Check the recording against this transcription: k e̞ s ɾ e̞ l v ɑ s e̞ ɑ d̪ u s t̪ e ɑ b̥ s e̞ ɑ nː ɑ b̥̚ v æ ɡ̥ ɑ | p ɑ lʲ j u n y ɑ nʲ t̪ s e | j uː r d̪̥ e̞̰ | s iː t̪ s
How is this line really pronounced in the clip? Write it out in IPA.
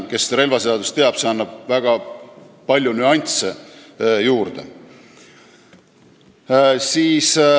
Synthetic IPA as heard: k e̞ s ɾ e̞ l v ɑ s e̞ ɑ d̪ u s t̪ e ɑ b̥ s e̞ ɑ nː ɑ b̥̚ v æ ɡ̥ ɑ | p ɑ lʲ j u n y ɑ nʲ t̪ s e | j uː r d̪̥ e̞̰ | s iː s